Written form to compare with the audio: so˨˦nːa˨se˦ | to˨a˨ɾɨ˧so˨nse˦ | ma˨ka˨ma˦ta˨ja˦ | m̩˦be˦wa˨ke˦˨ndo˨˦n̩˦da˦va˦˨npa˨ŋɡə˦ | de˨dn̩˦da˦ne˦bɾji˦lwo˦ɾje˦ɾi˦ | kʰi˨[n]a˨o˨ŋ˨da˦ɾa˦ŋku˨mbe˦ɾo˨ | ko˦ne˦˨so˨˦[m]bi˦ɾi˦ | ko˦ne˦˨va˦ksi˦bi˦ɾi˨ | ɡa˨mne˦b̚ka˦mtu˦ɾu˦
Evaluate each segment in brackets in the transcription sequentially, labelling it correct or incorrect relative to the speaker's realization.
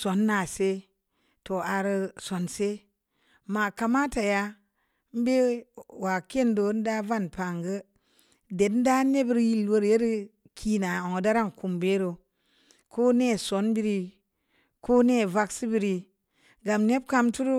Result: correct, incorrect: n

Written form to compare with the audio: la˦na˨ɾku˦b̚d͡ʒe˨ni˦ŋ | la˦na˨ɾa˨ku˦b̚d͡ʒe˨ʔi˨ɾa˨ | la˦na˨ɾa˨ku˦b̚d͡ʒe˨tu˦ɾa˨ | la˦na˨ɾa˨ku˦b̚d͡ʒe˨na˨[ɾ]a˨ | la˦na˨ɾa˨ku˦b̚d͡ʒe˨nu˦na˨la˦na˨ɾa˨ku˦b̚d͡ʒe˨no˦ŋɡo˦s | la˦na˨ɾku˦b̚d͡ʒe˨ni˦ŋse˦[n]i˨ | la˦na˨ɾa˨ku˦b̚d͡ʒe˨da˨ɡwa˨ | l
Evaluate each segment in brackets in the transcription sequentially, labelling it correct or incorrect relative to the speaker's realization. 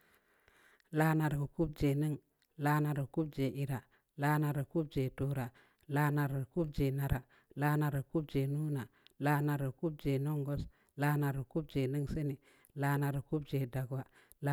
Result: correct, correct

